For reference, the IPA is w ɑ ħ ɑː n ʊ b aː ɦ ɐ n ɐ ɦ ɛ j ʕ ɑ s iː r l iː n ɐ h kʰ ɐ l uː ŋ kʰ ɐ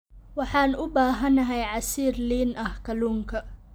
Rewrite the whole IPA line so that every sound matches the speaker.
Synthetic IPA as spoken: w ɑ ħ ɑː n ʊ b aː ɦ ɐ n ɐ ɦ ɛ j ʕ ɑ s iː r l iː n ɐ h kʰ ɐ l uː ŋ kʰ ɐ